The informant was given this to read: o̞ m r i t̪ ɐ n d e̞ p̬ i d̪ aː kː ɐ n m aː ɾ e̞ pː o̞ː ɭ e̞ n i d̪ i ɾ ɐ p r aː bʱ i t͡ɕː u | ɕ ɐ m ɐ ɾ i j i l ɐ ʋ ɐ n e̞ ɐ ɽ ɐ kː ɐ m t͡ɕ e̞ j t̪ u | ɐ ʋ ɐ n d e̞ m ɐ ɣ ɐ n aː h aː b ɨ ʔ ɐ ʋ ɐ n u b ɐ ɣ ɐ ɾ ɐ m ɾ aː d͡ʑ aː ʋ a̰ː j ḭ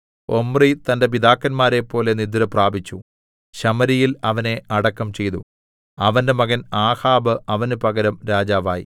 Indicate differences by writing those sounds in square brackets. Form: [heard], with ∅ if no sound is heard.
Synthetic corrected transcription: o̞ m r i t̪ ɐ n d e̞ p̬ i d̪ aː kː ɐ n m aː ɾ e̞ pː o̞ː [l] e̞ n i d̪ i ɾ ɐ p r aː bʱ i t͡ɕː u | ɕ ɐ m ɐ ɾ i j i l ɐ ʋ ɐ n e̞ ɐ ɽ ɐ kː ɐ m t͡ɕ e̞ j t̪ u | ɐ ʋ ɐ n d e̞ m ɐ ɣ ɐ n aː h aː b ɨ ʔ ɐ ʋ ɐ n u [p] ɐ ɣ ɐ ɾ ɐ m ɾ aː d͡ʑ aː ʋ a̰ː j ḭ